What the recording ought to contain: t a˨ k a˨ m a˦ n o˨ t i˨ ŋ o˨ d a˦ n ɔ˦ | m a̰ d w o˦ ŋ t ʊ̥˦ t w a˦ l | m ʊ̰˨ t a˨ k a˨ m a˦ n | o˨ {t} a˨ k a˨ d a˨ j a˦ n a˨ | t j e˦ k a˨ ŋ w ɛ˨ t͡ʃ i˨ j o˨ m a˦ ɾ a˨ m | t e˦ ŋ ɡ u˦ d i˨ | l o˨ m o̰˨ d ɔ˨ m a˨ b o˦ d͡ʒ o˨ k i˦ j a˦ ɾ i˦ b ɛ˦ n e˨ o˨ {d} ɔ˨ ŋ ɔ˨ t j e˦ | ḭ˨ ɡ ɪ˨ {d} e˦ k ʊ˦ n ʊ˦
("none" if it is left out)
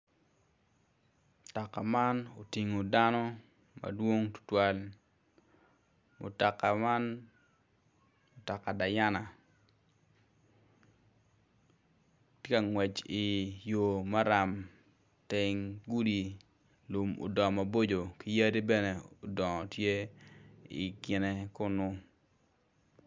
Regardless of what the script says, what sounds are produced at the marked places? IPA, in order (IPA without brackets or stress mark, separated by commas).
t, d, n